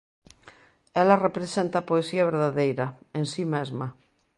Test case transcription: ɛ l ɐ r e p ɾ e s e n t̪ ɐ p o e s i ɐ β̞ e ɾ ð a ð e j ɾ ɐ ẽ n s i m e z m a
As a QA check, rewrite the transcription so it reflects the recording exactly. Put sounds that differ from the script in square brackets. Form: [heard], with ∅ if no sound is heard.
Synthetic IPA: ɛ l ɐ r e p ɾ e s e n t̪ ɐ p o e s i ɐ β̞ e ɾ ð a ð e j ɾ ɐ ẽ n s i m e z m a